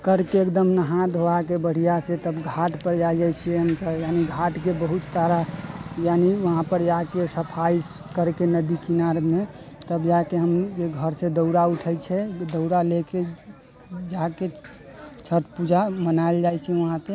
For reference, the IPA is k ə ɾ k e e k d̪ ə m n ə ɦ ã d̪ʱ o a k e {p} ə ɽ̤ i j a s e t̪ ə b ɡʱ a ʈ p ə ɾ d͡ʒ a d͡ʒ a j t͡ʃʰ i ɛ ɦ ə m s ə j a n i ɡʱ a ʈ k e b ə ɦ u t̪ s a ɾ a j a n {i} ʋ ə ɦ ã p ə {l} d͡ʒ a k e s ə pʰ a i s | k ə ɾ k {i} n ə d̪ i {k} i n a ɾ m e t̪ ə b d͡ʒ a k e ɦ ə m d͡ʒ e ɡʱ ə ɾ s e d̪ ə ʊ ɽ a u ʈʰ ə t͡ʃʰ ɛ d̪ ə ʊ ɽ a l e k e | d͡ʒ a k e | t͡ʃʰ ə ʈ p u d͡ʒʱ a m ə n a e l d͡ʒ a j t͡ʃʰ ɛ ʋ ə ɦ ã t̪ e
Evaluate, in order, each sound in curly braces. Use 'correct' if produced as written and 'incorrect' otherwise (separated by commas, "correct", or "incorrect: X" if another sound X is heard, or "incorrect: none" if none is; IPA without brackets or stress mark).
incorrect: b, correct, incorrect: ɾ, incorrect: e, correct